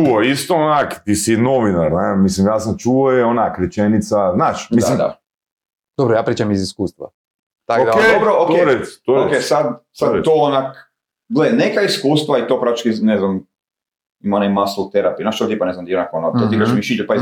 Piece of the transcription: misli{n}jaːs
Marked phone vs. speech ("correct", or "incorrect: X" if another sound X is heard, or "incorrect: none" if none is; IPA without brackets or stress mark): incorrect: m